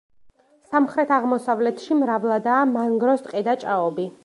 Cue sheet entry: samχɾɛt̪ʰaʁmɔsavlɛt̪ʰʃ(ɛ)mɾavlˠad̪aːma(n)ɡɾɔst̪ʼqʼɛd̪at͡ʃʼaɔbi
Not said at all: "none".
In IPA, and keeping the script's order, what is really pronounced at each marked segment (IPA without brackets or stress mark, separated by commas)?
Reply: i, ŋ